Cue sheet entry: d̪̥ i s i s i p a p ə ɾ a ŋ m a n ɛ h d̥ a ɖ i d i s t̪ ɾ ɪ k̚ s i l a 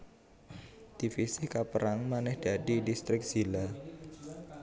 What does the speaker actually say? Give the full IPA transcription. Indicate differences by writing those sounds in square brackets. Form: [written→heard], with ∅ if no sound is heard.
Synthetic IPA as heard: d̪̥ i [s→f] i s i [p→k] a p ə ɾ a ŋ m a n ɛ h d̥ a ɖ i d i s t̪ ɾ ɪ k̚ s i l a